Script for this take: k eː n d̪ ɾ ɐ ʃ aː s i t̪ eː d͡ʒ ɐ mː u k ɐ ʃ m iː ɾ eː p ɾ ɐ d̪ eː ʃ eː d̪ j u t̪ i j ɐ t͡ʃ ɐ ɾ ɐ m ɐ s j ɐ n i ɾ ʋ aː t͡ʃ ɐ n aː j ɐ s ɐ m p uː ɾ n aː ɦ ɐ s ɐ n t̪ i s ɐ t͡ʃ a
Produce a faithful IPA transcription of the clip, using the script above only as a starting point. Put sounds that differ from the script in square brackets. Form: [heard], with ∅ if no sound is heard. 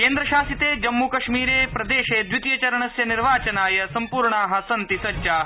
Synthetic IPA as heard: k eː n d̪ ɾ ɐ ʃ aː s i t̪ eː d͡ʒ ɐ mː u k ɐ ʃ m iː ɾ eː p ɾ ɐ d̪ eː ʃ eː d̪ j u t̪ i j ɐ t͡ʃ ɐ ɾ ɐ [ɳ] ɐ s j ɐ n i ɾ ʋ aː t͡ʃ ɐ n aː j ɐ s ɐ m p uː ɾ [ɳ] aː ɦ ɐ s ɐ n t̪ i s ɐ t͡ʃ a